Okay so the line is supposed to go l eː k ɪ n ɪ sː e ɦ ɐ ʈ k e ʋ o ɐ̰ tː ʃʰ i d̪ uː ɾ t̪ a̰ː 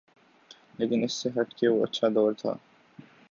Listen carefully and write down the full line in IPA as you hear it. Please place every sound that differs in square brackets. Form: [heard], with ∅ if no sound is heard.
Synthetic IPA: l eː k ɪ n ɪ sː e ɦ ɐ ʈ k e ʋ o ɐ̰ tː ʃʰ [a] d̪ [ɔː] ɾ [t̪ʰ] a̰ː